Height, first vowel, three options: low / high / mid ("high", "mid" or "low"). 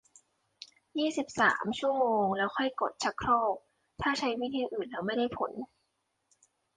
high